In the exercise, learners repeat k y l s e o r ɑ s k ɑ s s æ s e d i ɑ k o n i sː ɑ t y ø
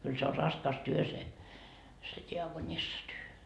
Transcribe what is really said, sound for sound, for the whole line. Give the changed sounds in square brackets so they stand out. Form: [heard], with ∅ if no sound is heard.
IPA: k y l s e o r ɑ s k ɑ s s [e] s e d i ɑ k o n i sː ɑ t y ø